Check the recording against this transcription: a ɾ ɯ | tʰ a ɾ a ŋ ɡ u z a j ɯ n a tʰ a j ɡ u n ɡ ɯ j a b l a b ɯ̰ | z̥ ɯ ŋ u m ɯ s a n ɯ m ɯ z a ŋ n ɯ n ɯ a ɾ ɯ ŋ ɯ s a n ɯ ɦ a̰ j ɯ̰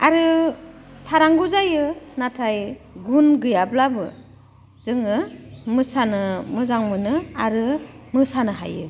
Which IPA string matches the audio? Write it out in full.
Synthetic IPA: a ɾ ɯ | tʰ a ɾ a ŋ ɡ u z a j ɯ n a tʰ a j ɡ u n ɡ ɯ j a b l a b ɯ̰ | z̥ ɯ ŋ ɯ m ɯ s a n ɯ m ɯ z a ŋ m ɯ n ɯ a ɾ ɯ m ɯ s a n ɯ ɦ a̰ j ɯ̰